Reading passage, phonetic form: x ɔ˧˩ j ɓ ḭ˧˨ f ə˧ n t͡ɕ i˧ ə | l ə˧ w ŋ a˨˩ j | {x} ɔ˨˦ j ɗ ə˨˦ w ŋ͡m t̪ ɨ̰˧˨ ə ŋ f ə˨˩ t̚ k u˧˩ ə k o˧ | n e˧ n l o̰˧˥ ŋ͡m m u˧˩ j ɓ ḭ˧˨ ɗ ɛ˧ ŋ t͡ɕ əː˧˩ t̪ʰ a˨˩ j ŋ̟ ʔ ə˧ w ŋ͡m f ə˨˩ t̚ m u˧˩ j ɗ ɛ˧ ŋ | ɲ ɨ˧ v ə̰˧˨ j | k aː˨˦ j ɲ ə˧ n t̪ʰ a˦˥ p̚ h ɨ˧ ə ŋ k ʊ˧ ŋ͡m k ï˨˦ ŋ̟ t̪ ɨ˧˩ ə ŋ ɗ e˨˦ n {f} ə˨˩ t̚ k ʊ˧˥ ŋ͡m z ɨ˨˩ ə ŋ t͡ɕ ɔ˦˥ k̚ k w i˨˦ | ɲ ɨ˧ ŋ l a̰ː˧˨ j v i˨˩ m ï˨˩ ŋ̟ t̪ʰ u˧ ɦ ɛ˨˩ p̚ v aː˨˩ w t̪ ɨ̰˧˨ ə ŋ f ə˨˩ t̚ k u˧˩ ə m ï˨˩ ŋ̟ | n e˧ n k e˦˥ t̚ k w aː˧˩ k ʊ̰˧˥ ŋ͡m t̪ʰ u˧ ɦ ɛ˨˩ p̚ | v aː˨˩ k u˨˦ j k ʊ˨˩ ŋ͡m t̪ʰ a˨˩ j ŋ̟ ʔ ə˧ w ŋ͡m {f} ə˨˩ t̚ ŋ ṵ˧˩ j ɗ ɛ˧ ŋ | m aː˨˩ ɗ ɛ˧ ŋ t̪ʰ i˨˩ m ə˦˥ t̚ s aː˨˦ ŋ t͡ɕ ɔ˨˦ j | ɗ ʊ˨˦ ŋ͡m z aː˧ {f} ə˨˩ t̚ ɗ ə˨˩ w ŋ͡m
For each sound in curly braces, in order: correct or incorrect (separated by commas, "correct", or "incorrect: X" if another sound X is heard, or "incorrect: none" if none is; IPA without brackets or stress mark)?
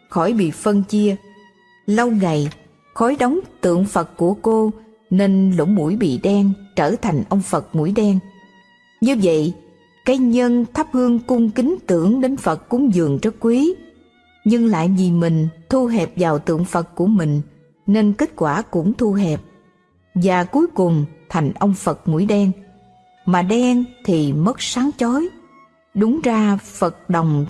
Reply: correct, correct, correct, correct